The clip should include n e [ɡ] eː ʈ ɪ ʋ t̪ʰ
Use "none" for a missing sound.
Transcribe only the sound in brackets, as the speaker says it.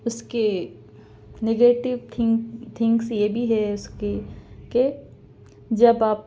ɡ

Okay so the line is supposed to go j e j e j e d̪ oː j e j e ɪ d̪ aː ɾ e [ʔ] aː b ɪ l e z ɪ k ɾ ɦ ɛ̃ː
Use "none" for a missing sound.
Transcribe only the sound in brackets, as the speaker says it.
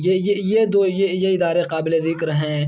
q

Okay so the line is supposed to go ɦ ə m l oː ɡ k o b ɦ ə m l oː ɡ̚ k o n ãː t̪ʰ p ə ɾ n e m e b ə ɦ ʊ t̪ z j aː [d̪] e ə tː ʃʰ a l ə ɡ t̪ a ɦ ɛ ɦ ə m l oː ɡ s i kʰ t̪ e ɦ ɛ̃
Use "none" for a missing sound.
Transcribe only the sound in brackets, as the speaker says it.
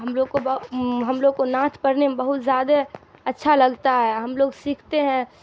d̪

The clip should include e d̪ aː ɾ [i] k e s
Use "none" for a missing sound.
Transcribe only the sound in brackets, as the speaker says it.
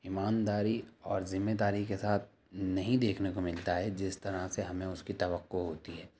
i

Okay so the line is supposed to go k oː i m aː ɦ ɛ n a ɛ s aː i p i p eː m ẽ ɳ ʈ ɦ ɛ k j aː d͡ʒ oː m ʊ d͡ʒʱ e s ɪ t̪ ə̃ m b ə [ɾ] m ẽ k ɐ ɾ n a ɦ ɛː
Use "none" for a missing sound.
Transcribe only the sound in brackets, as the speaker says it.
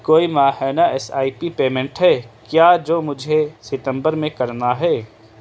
ɾ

